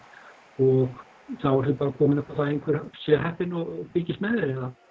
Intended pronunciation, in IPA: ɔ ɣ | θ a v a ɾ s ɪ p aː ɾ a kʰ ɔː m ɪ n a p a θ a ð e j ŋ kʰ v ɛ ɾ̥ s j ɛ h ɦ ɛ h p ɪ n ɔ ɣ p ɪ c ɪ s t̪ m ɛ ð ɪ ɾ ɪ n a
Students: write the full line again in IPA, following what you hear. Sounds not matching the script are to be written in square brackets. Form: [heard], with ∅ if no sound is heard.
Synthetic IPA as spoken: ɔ ɣ | θ a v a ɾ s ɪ p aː ɾ a kʰ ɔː m ɪ n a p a θ a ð e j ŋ kʰ v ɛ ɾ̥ s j ɛ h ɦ ɛ h p ɪ n ɔ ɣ p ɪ c ɪ s t̪ m ɛ ð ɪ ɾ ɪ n a